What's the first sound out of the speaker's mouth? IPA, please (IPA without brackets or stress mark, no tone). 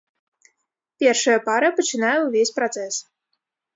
pʲ